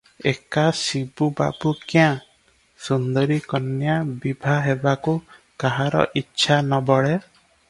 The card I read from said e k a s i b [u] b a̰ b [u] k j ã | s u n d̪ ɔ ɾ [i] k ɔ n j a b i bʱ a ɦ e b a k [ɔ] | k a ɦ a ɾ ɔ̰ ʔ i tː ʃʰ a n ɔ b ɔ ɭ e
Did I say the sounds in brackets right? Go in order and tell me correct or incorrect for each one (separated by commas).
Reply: correct, correct, correct, incorrect